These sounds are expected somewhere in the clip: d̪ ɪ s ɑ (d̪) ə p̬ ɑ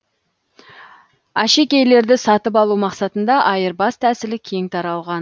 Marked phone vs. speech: incorrect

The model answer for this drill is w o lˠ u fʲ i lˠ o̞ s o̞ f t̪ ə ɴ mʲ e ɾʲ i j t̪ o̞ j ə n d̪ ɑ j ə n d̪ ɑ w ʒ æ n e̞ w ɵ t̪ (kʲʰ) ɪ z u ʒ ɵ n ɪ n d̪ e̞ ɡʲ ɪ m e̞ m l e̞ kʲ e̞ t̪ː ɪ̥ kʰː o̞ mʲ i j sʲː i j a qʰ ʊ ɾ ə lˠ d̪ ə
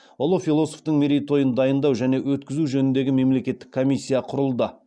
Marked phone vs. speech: incorrect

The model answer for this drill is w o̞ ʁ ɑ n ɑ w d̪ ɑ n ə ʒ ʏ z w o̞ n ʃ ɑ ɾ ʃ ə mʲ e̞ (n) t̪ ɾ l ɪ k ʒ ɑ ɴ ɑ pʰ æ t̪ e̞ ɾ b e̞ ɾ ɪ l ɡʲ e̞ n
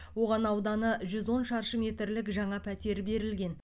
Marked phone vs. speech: incorrect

